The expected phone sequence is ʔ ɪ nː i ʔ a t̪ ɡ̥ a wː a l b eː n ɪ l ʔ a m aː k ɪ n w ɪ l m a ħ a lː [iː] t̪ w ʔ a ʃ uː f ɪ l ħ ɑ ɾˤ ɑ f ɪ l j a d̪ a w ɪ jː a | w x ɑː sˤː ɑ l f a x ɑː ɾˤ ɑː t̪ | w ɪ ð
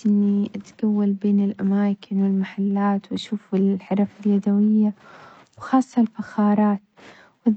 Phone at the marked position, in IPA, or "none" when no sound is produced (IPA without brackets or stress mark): aː